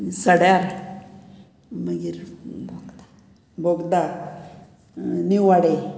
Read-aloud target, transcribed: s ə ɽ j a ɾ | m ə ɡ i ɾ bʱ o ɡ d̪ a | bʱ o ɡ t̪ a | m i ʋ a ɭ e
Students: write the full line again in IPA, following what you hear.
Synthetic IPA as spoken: s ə ɽ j a ɾ | m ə ɡ i ɾ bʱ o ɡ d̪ a | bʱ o ɡ d̪ a | n i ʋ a ɽ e